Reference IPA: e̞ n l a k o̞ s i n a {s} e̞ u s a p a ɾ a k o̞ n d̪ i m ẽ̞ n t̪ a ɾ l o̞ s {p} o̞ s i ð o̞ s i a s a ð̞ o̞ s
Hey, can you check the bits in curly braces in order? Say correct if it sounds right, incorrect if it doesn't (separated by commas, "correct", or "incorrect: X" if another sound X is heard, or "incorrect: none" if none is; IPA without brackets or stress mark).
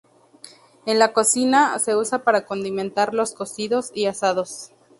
correct, incorrect: k